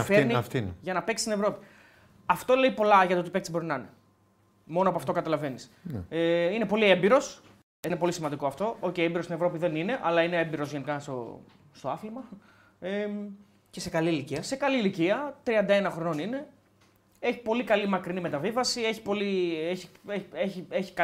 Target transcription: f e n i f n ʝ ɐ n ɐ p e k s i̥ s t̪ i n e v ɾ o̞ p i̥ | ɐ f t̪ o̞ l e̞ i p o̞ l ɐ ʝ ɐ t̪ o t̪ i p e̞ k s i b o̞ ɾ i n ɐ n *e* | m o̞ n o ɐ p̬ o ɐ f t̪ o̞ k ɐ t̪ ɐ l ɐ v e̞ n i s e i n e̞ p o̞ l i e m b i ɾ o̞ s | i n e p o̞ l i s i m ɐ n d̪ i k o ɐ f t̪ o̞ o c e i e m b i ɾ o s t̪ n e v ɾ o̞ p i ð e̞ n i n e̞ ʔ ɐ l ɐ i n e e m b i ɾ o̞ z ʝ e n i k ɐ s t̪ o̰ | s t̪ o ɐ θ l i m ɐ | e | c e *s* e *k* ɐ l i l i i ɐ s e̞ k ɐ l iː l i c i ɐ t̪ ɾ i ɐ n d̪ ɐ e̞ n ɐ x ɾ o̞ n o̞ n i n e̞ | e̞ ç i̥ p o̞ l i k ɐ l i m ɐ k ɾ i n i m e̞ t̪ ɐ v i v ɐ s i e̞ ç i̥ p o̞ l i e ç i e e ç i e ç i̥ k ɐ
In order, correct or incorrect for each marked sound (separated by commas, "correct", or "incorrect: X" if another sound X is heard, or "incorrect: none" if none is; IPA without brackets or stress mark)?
correct, correct, correct